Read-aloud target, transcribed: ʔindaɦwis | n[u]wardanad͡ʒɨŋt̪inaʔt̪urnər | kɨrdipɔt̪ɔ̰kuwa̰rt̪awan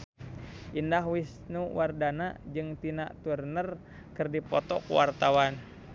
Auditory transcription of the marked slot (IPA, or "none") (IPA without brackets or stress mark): u